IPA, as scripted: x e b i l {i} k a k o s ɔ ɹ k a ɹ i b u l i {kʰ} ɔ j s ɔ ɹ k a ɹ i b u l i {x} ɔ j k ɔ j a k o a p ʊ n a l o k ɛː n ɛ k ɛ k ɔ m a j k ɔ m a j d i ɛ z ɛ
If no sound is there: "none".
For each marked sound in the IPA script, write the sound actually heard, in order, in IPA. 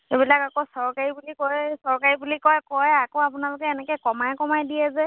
a, k, k

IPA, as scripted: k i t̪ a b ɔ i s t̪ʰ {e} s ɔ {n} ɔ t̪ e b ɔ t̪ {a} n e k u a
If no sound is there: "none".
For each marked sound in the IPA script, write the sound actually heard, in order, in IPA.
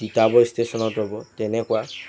e, n, e

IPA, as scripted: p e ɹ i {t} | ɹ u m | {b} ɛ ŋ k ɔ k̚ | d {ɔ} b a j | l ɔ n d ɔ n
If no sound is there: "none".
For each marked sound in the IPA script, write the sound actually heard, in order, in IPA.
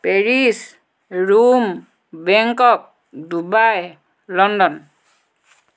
s, b, u

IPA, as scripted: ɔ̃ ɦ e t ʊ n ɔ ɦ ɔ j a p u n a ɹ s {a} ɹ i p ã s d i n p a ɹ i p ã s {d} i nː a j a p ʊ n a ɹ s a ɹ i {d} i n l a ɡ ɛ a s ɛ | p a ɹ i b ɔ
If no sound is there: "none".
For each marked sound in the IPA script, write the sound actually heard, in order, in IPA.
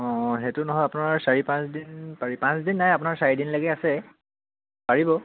a, d, d

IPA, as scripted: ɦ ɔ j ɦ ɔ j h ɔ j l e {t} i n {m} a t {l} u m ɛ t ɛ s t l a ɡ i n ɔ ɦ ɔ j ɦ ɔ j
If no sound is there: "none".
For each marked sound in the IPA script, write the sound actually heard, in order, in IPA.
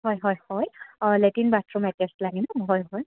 t, b, ɹ

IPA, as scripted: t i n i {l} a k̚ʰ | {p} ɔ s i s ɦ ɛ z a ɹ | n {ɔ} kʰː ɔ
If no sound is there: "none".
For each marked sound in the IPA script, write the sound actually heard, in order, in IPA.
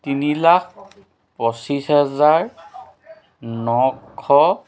l, p, ɔ

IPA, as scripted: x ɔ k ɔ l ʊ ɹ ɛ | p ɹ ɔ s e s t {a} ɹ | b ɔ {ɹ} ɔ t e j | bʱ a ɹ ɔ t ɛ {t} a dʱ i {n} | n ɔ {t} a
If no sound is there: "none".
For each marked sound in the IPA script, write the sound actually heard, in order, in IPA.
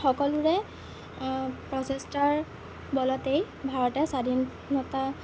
a, l, s, n, t

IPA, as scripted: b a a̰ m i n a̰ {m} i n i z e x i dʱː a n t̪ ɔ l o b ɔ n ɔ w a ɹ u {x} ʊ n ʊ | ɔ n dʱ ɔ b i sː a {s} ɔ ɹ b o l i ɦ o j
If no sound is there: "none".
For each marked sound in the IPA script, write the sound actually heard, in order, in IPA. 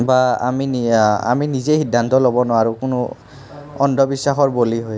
m, k, x

